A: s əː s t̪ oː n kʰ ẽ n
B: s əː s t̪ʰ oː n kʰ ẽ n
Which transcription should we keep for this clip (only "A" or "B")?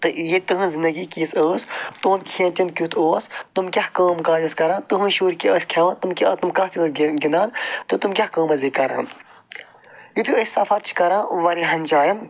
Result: A